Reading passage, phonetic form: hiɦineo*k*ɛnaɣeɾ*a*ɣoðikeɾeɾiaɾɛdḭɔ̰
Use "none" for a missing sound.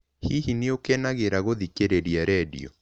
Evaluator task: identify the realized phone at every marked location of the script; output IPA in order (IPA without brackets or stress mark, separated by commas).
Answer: k, a